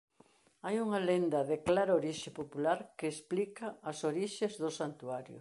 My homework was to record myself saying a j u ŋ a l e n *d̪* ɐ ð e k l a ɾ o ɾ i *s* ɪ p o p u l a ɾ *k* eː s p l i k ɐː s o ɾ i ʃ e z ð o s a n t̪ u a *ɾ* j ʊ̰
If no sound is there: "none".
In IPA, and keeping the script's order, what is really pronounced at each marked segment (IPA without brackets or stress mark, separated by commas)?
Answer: d̪, ʃ, k, ɾ